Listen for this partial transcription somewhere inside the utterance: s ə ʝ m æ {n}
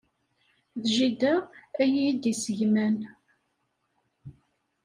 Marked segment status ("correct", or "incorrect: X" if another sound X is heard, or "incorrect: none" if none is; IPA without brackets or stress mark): correct